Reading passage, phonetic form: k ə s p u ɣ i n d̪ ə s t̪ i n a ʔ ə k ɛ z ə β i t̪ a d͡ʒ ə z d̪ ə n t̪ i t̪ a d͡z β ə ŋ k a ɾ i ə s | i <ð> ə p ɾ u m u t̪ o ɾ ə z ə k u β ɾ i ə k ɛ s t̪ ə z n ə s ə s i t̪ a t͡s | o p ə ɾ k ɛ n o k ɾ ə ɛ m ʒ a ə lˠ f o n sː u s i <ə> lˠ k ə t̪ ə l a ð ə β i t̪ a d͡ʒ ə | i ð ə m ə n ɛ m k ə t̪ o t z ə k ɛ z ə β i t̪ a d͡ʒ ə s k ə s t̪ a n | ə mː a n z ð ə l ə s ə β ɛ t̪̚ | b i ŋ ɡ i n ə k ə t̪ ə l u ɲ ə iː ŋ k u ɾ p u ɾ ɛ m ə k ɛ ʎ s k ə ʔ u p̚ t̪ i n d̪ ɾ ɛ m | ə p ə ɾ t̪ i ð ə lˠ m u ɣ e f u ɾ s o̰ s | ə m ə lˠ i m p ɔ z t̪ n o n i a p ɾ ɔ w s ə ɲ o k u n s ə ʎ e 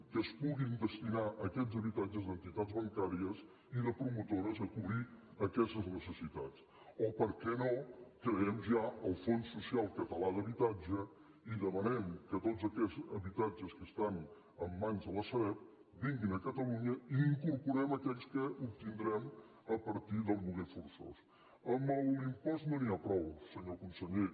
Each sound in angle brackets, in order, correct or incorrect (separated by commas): correct, incorrect